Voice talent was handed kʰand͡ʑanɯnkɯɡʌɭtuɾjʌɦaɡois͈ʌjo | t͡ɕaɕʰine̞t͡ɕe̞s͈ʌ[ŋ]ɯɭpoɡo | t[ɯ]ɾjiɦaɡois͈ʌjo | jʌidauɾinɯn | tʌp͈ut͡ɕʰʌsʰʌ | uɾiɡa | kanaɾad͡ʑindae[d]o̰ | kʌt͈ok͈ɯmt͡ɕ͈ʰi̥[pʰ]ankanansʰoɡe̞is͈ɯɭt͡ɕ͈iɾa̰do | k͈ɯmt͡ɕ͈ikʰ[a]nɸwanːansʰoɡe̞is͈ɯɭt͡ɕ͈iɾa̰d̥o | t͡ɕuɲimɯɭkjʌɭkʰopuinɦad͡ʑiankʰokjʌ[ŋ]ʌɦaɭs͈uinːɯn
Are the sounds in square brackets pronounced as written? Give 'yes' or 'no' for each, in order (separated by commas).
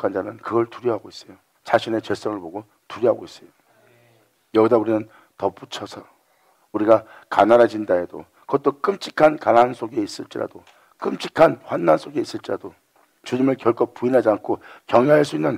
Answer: yes, no, yes, no, yes, yes